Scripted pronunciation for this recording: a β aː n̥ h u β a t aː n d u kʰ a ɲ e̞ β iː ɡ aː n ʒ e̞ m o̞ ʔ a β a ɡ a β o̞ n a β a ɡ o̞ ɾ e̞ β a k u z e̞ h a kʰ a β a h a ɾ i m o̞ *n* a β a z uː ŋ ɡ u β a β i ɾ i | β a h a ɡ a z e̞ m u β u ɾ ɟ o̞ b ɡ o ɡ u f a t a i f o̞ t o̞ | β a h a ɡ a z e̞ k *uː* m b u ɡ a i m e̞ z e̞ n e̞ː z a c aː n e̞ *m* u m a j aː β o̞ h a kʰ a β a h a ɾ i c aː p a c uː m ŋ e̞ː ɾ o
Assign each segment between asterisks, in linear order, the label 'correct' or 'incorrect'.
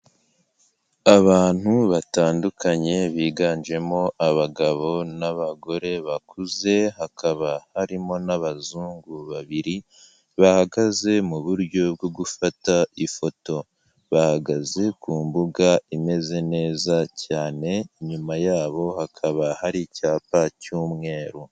correct, correct, incorrect

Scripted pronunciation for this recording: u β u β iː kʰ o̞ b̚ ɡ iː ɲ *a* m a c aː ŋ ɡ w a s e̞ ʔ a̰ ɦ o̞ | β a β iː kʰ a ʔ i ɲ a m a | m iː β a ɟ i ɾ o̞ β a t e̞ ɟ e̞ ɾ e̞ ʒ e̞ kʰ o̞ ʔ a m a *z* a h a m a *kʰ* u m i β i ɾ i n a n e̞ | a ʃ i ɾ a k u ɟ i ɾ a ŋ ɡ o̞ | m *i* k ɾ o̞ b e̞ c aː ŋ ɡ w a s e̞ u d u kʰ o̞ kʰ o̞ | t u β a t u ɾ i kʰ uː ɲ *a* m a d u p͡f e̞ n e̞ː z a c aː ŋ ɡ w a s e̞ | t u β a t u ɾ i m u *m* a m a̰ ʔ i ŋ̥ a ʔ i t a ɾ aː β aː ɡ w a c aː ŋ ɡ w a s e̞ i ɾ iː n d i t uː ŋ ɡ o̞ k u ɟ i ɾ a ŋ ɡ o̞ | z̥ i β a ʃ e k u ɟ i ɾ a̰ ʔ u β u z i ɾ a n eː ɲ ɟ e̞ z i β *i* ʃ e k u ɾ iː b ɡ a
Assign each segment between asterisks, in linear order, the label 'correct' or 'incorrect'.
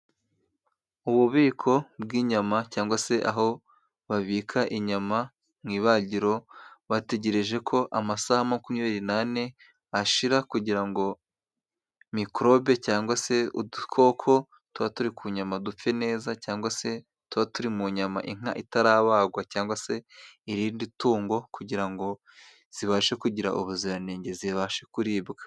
correct, incorrect, incorrect, correct, correct, incorrect, incorrect

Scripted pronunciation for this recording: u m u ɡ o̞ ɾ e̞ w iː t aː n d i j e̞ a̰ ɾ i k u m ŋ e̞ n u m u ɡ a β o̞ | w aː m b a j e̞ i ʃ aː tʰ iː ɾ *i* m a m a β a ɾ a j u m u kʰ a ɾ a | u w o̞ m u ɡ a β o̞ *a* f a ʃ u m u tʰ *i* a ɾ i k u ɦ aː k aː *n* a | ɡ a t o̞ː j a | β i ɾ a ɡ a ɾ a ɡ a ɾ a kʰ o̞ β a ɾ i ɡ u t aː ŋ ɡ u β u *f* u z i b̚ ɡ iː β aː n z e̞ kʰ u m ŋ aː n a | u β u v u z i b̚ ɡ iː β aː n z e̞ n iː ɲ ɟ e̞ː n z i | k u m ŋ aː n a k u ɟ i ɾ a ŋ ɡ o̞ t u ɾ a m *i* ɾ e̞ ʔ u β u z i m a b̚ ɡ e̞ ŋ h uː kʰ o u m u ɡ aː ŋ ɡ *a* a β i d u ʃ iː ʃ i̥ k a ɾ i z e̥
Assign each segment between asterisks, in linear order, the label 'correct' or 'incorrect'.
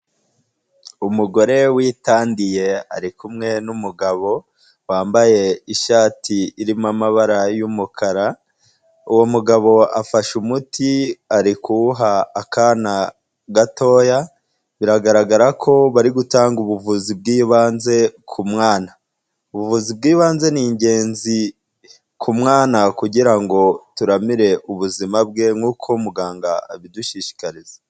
correct, correct, correct, correct, incorrect, correct, correct

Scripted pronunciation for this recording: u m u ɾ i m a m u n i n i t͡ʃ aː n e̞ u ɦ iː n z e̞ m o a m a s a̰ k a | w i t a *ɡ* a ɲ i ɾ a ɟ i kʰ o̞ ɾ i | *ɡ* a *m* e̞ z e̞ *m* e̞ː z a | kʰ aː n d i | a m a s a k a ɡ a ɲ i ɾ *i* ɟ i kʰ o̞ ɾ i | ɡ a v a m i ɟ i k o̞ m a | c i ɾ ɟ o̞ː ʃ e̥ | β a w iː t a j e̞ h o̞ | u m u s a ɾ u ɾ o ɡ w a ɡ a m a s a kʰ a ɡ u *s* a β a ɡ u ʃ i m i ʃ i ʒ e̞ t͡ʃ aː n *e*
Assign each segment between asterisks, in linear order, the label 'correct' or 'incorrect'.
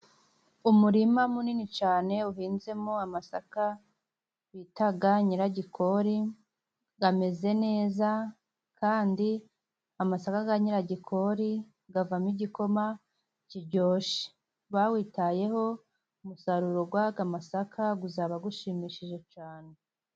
correct, correct, correct, incorrect, incorrect, incorrect, correct

